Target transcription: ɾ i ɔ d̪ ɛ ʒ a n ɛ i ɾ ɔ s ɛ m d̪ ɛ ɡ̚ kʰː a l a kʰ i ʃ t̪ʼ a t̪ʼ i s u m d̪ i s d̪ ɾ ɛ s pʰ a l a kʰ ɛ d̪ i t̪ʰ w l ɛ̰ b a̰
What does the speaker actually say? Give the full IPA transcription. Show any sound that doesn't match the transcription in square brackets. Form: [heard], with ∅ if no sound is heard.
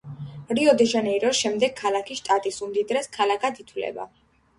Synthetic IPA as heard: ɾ i ɔ d̪ ɛ ʒ a n ɛ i ɾ ɔ [ʃ] ɛ m d̪ ɛ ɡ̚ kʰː a l a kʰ i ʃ t̪ʼ a t̪ʼ i s u m d̪ i [∅] d̪ ɾ ɛ s [kʰ] a l a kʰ [a] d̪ i t̪ʰ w l ɛ̰ b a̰